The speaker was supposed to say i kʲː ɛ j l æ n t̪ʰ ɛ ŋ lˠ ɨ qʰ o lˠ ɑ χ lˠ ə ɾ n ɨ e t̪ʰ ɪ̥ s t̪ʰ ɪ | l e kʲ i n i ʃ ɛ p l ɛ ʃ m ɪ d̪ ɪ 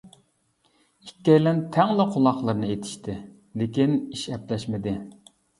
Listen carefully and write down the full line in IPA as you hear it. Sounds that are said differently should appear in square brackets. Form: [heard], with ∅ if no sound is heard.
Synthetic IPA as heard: i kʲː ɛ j l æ n t̪ʰ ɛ ŋ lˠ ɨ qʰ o lˠ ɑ χ lˠ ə ɾ n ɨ e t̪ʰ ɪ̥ [ʃ] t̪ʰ ɪ | l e kʲ i n i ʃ ɛ p l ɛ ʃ m ɪ d̪ ɪ